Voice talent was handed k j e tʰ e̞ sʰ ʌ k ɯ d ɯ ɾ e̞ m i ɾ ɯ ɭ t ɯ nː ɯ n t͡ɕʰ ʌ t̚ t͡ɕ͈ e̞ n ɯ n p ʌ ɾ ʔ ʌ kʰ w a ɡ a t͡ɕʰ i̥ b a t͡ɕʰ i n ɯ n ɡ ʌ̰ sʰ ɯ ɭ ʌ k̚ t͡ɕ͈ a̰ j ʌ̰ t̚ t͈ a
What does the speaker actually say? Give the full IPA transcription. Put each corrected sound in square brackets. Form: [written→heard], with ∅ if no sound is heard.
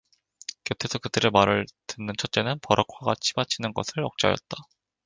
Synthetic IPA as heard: k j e tʰ e̞ sʰ ʌ k ɯ d ɯ ɾ e̞ m [i→a] ɾ ɯ ɭ t ɯ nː ɯ n t͡ɕʰ ʌ t̚ t͡ɕ͈ e̞ n ɯ n p ʌ ɾ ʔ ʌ kʰ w a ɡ a t͡ɕʰ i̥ b a t͡ɕʰ i n ɯ n ɡ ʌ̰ sʰ ɯ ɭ ʌ k̚ t͡ɕ͈ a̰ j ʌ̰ t̚ t͈ a